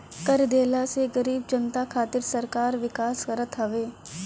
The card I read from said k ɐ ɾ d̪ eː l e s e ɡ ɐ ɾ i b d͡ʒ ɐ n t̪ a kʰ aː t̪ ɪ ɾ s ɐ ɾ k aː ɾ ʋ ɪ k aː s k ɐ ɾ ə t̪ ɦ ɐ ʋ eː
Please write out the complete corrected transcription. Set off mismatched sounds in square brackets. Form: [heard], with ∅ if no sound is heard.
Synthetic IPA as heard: k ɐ ɾ d̪ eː l [a] s e ɡ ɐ ɾ [iː] b d͡ʒ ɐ n t̪ a kʰ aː t̪ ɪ ɾ s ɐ ɾ k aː ɾ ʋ ɪ k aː s k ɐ ɾ ə t̪ ɦ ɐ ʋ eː